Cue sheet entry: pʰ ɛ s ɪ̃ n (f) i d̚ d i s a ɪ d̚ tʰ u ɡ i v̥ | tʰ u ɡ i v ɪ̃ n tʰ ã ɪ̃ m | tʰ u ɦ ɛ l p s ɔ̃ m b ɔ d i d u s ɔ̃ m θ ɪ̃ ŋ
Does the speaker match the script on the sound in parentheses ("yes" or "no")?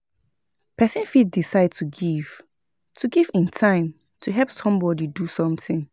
yes